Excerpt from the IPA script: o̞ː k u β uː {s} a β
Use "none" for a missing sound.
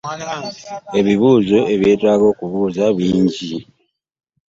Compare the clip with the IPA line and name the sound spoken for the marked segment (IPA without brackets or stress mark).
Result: z